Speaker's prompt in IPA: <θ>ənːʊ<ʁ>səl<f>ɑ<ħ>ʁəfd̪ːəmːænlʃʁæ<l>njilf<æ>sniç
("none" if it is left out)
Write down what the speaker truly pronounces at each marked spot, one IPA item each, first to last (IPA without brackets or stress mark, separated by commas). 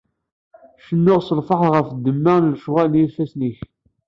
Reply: ʃ, ʁ, f, ħ, l, æ